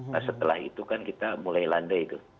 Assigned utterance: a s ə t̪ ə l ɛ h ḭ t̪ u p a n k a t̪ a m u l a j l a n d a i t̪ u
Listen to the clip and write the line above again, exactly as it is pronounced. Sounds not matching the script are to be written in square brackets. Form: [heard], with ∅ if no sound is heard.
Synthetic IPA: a s ə t̪ ə l [a] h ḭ t̪ u [k] a n k [i] t̪ a m u l a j l a n d a i t̪ u

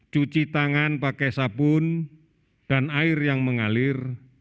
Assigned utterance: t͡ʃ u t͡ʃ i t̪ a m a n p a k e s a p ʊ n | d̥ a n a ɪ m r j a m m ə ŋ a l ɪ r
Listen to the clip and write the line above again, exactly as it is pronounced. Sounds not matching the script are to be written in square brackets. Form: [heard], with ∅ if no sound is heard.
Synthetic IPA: t͡ʃ u t͡ʃ i t̪ a [ŋ] a n p a k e s a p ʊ n | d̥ a n a ɪ [∅] r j a [ŋ] m ə ŋ a l ɪ r

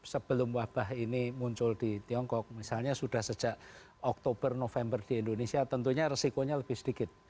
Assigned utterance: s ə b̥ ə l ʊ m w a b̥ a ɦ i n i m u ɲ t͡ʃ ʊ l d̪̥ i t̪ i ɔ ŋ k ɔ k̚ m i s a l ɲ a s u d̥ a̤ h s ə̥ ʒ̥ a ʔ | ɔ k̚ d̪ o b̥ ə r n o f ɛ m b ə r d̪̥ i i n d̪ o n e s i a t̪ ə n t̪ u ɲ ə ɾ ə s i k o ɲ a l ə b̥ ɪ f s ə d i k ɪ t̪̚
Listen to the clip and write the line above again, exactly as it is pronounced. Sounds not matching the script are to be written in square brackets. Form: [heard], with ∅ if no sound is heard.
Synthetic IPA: s ə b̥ ə l ʊ m w a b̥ a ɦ i n i m u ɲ t͡ʃ ʊ l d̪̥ i t̪ i ɔ ŋ k ɔ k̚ m i s a l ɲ a s u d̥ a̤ h s ə̥ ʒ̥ a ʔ | ɔ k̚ [t̪] o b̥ ə r n o f ɛ m b ə r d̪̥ i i n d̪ o n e s i a t̪ ə n t̪ u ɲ [a] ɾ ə s i k o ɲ a l ə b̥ ɪ [h] s ə d i k ɪ t̪̚

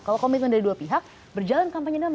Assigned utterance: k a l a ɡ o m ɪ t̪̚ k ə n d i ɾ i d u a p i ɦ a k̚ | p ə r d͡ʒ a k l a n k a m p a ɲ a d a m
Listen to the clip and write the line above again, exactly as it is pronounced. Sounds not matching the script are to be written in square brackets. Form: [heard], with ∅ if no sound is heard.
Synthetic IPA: k a l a [k] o m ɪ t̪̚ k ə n d [a] ɾ i d u a p i ɦ a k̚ | [b] ə r d͡ʒ a [∅] l a n k a m p a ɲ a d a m

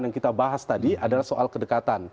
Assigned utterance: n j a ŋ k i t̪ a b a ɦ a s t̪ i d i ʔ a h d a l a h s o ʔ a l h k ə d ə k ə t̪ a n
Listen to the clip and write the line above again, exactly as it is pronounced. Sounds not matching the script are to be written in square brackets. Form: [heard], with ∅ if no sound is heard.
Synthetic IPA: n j a ŋ k i t̪ a b a ɦ a s t̪ [a] d i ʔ a [∅] d a l a h s o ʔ a l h k ə d ə k [a] t̪ a n

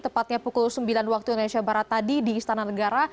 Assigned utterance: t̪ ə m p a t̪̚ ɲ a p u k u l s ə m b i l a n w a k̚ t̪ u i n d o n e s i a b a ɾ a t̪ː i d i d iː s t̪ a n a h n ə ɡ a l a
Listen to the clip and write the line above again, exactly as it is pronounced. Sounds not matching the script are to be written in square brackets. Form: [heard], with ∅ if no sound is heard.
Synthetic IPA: t̪ ə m p a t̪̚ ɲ a p u k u l s ə m b i l a n w a k̚ t̪ u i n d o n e s i a b a ɾ a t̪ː [a] d i d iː s t̪ a n a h n ə ɡ a [ɾ] a

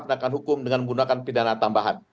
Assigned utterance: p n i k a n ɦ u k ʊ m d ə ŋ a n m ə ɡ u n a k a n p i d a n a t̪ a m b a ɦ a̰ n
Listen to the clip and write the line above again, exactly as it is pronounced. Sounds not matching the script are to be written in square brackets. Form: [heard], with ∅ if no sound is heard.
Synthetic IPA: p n [a] k a n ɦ u k ʊ m d ə ŋ a n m ə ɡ u n a k a n p i d a n a t̪ a m b a ɦ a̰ n

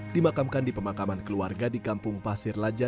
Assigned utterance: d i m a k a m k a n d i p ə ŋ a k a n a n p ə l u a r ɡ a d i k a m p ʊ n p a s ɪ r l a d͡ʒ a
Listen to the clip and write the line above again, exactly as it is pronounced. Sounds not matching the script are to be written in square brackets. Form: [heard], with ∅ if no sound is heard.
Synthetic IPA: d i m a k a m k a n d i p ə [m] a k a [m] a n [k] ə l u a r ɡ a d i k a m p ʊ [ŋ] p a s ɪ r l a d͡ʒ a

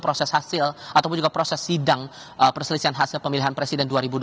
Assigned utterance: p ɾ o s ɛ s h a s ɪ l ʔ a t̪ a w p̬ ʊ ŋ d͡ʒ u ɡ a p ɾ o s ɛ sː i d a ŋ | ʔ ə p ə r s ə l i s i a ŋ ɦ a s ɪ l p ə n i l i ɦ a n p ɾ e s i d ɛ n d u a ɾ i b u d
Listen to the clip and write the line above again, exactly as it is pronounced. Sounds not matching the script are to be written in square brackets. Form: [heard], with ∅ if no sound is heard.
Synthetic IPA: p ɾ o s ɛ s h a s ɪ l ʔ a t̪ a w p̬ ʊ [n] d͡ʒ u ɡ a p ɾ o s ɛ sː i d a ŋ | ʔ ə p ə r s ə l i s i a [n] ɦ a s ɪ l p ə [m] i l i ɦ a n p ɾ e s i d ɛ n d u a ɾ i b u d

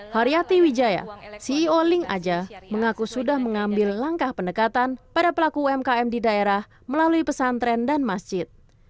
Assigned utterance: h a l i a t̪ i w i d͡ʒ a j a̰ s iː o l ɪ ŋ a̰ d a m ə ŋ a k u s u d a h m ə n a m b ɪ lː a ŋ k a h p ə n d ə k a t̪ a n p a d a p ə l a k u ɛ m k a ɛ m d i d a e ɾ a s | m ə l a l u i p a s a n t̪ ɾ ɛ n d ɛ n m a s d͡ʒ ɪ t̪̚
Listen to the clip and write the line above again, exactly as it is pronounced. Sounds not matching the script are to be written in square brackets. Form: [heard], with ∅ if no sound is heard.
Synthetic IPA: h a [ɾ] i a t̪ i w i d͡ʒ a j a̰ s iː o l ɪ ŋ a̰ [d͡ʒ] a m ə ŋ a k u s u d a h m ə [ŋ] a m b ɪ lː a ŋ k a h p ə n d ə k a t̪ a n p a d a p ə l a k u ɛ m k a ɛ m d i d a e ɾ a [h] | m ə l a l u i p [ə] s a n t̪ ɾ ɛ n d [a] n m a s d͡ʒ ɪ t̪̚

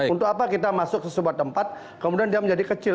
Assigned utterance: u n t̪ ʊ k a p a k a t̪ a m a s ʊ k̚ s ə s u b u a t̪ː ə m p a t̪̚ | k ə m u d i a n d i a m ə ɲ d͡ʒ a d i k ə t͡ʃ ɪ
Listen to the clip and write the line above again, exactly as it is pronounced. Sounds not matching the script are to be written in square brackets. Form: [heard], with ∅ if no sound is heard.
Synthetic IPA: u n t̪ ʊ k a p a k [i] t̪ a m a s ʊ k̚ s ə s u b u a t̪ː ə m p a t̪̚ | k ə m u d i a n d i a m ə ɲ d͡ʒ a d i k ə t͡ʃ ɪ

